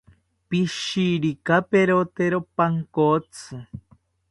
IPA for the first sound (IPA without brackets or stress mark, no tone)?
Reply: p